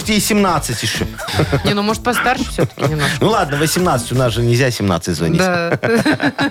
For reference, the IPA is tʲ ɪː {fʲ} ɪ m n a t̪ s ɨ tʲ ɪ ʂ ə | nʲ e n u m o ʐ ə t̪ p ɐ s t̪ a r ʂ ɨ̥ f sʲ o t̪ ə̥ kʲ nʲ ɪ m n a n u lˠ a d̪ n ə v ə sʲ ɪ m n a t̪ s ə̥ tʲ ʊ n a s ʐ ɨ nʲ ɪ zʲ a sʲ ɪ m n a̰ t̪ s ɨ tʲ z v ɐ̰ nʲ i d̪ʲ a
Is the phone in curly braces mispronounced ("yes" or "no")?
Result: yes